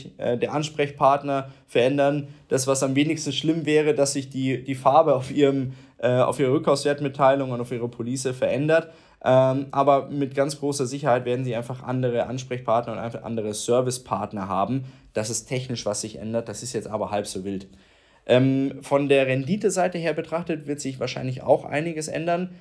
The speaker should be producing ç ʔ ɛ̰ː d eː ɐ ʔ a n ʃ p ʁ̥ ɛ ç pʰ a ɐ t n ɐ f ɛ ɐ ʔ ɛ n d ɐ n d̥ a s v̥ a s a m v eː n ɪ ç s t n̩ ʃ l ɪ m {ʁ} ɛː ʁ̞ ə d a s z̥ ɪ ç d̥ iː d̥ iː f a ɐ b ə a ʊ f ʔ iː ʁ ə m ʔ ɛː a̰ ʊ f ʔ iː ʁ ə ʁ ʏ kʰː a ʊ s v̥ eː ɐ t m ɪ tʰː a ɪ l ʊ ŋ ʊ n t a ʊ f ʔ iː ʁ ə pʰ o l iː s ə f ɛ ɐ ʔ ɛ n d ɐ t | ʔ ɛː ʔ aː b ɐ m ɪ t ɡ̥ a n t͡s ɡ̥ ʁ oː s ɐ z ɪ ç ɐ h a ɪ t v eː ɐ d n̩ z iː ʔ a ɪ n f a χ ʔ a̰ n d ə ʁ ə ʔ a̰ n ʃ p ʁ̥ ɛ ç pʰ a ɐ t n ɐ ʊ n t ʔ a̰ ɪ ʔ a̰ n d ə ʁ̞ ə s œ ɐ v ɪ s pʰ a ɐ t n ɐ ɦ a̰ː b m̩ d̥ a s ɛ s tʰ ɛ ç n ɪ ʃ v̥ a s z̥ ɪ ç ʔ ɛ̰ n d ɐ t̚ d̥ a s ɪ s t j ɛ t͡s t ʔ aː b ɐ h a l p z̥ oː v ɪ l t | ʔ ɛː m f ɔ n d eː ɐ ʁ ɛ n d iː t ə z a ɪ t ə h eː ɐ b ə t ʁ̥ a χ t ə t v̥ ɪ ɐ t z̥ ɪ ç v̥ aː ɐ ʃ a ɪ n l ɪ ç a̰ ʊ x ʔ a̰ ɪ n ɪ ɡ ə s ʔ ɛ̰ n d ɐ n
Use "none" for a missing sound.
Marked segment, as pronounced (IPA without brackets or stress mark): v